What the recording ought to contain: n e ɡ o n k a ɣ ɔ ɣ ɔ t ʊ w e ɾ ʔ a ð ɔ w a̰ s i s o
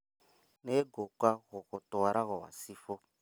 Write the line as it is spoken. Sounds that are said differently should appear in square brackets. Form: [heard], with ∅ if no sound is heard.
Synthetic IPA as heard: n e ɡ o [∅] k a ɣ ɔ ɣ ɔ t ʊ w [a] ɾ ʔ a [ɣ] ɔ w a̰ s i [f] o